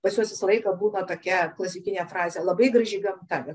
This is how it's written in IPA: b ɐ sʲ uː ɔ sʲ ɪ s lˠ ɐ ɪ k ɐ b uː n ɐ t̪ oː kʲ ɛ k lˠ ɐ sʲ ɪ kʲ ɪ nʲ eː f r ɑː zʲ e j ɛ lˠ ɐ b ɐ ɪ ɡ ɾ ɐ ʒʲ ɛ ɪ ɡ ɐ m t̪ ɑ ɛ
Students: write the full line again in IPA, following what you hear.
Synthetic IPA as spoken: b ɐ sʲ u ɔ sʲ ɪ s lˠ ɐ ɪ k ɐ b uː n ɐ t̪ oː kʲ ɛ k lˠ ɐ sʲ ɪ kʲ ɪ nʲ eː f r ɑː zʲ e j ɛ lˠ ɐ b ɐ ɪ ɡ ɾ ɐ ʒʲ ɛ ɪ ɡ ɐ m t̪ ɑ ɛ